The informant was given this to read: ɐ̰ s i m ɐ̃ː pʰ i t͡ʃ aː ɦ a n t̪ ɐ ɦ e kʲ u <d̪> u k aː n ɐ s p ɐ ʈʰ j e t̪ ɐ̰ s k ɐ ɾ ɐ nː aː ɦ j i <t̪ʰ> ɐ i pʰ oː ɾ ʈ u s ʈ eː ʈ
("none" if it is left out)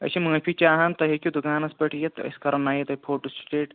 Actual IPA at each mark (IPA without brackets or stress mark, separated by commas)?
d̪, t̪